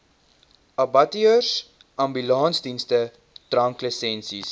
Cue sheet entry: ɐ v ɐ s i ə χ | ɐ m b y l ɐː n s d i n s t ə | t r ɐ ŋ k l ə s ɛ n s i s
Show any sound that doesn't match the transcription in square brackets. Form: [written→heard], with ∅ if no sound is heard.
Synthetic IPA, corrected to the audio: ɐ [v→b] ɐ [s→t] i ə [χ→s] | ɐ m b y l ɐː n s d i n s t ə | t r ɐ ŋ k l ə s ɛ n s i s